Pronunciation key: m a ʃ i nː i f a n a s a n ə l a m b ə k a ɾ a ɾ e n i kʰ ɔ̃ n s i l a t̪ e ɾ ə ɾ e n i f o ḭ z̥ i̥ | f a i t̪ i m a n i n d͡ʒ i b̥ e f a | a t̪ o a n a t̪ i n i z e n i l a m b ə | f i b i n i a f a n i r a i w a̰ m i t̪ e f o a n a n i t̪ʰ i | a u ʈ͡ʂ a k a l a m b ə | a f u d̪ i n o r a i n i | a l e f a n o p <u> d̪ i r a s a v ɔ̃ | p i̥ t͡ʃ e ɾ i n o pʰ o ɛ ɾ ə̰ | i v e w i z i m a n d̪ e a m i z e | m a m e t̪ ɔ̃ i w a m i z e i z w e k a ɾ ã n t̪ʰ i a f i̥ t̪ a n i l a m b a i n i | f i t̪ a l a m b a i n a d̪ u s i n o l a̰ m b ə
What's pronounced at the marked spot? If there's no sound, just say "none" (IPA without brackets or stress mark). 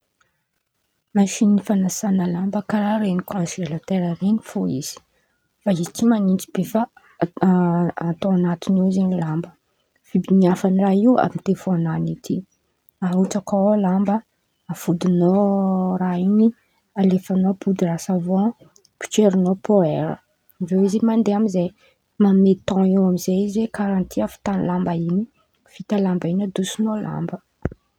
u